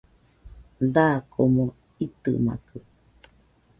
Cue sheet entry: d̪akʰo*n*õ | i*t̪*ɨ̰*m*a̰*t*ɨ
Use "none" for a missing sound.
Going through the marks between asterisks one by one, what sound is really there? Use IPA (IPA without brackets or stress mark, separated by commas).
m, t̪, m, k